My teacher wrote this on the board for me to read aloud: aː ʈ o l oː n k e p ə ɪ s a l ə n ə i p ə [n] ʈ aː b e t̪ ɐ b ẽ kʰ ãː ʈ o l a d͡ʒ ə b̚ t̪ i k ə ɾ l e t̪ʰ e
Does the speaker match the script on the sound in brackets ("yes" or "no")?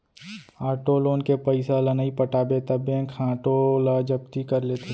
no